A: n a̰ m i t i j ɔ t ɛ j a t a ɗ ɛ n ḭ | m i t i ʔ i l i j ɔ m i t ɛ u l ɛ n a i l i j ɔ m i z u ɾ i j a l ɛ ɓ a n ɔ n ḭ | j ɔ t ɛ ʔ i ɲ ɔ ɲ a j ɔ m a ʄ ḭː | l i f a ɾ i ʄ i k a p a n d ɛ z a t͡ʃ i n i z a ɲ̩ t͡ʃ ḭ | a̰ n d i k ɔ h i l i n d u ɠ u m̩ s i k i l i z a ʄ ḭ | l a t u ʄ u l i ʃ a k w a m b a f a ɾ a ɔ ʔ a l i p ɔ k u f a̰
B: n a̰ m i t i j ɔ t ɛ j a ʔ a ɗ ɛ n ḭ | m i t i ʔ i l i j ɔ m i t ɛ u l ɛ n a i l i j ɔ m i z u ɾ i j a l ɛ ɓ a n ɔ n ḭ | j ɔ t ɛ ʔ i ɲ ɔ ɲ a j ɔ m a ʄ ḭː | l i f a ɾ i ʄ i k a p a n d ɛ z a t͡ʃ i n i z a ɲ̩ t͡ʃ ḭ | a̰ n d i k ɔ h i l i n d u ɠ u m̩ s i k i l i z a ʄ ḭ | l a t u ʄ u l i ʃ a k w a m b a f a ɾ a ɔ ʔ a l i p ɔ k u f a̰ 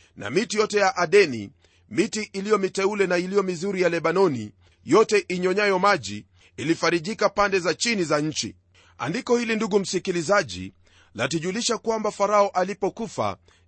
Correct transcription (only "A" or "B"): B